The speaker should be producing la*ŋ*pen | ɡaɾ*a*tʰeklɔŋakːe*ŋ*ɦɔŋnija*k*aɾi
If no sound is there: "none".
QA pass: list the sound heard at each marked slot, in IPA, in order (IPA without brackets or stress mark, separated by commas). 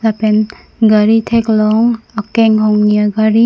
none, i, ŋ, ɡ